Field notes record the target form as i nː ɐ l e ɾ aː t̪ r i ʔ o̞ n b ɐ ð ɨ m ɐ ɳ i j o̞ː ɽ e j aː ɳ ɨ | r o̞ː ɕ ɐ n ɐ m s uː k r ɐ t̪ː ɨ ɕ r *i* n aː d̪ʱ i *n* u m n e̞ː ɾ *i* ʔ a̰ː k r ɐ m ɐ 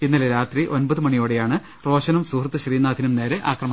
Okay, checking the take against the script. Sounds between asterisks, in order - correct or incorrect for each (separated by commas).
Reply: incorrect, correct, incorrect